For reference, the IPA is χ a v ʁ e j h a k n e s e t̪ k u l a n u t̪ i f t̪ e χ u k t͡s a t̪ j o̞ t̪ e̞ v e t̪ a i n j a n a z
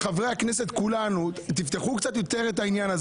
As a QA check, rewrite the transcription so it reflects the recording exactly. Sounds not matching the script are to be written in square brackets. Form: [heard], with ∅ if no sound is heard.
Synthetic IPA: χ a v ʁ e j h a k n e s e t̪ k u l a n u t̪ i f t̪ e χ u k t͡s a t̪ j o̞ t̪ e̞ [ʁ] e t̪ a i n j a n a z